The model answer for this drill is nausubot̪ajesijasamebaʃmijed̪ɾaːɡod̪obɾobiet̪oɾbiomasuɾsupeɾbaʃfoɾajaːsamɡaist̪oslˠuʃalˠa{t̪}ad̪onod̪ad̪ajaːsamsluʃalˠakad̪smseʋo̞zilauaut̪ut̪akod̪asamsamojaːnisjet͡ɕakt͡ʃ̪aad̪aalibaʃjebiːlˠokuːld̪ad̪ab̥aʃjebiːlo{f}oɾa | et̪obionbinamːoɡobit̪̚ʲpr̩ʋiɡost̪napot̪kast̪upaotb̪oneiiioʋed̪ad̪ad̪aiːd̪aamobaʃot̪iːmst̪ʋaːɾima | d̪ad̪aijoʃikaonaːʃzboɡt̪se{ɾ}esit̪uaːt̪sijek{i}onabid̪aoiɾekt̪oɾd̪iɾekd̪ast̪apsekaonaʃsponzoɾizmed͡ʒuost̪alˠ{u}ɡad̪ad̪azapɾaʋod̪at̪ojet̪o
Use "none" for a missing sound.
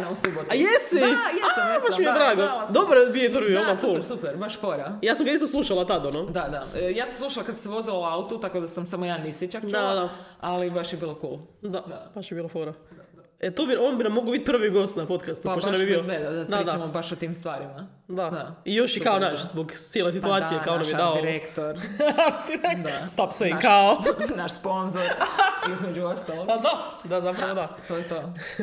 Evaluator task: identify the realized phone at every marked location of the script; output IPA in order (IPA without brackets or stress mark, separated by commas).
t̪, f, l, a, o